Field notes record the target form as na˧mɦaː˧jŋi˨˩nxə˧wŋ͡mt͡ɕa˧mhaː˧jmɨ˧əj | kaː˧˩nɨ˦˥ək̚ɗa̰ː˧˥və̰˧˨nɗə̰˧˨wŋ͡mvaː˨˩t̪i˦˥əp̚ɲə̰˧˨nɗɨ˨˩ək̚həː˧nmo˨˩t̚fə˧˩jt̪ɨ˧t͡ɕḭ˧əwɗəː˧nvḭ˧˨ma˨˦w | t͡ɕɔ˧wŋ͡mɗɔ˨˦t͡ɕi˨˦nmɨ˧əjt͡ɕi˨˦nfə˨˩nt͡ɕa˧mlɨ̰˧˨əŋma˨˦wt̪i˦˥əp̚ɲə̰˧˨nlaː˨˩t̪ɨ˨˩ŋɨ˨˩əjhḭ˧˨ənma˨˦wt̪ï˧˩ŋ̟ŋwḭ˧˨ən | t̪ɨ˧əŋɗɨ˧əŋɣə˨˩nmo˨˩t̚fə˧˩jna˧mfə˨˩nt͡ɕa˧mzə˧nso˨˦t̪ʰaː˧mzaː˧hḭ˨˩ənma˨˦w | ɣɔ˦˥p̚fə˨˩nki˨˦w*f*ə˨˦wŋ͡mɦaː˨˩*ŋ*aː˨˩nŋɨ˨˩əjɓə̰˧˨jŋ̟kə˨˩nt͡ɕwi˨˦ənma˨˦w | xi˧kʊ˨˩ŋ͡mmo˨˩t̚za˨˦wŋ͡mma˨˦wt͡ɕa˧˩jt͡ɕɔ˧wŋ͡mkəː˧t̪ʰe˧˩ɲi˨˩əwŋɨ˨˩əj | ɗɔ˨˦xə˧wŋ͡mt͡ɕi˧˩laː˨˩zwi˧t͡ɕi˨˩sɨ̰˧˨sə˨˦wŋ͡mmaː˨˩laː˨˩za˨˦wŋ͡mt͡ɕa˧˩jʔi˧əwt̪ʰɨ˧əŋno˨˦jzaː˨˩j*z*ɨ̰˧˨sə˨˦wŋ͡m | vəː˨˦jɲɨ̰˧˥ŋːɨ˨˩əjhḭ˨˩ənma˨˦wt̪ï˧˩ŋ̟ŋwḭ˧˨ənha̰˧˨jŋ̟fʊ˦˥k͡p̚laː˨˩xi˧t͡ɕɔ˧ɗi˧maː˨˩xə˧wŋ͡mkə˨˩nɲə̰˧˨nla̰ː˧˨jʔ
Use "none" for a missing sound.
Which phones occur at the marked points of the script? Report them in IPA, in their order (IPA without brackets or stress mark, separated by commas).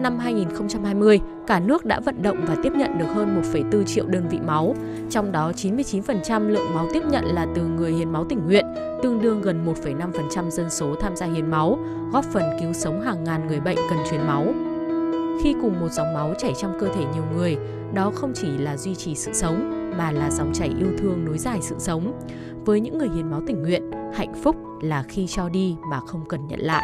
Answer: s, ŋː, s